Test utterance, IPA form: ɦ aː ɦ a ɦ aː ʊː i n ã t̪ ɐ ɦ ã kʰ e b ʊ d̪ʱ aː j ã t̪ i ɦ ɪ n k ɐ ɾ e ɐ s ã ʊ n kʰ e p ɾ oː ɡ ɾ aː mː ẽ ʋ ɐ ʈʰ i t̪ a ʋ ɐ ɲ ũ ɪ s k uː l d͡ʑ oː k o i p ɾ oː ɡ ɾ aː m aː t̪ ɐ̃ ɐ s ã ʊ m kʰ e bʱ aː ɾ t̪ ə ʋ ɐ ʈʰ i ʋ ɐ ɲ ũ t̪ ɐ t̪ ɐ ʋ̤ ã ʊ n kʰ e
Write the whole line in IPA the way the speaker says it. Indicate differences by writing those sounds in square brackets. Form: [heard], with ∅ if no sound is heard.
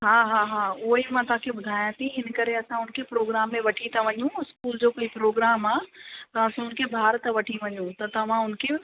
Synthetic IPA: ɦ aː ɦ a ɦ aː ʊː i [m] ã t̪ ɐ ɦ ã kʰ e b ʊ d̪ʱ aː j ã t̪ i ɦ ɪ n k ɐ ɾ e ɐ s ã ʊ n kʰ e p ɾ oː ɡ ɾ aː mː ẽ ʋ ɐ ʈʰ i t̪ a ʋ ɐ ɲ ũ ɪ s k uː l d͡ʑ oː k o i p ɾ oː ɡ ɾ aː m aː t̪ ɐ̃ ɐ s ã ʊ [n] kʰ e bʱ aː ɾ t̪ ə ʋ ɐ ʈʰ i ʋ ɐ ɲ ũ t̪ ɐ t̪ ɐ ʋ̤ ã ʊ n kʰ e